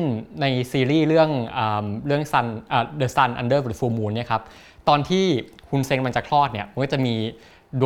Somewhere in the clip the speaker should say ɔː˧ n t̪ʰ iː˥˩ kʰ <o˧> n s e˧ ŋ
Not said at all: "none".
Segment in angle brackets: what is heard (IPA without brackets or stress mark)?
u˧